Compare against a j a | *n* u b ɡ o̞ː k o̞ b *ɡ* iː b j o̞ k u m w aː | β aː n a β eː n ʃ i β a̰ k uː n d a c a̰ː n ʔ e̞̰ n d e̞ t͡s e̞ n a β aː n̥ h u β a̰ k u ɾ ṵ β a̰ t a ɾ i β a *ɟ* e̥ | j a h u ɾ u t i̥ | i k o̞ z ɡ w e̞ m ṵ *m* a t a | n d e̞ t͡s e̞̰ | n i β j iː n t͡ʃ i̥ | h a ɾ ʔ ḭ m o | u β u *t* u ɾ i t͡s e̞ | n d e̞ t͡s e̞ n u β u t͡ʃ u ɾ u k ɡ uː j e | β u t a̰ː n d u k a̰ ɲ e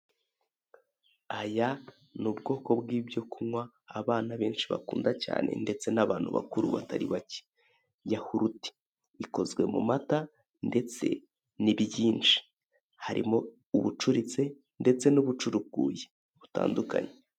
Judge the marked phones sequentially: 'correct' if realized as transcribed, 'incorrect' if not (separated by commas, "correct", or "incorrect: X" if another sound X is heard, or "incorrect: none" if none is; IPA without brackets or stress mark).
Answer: correct, correct, incorrect: c, correct, incorrect: t͡ʃ